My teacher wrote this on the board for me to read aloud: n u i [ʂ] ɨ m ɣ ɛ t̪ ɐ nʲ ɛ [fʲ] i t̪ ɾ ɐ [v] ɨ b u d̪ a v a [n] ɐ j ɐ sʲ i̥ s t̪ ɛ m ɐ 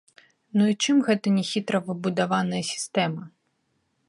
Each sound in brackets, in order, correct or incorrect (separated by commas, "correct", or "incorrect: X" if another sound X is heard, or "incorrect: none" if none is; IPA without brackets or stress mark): incorrect: t͡ʂ, incorrect: xʲ, correct, correct